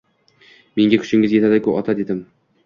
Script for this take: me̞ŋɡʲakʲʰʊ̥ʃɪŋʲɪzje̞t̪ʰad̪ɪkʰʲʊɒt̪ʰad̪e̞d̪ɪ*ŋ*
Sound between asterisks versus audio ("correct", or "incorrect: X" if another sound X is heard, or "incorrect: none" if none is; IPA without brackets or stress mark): incorrect: m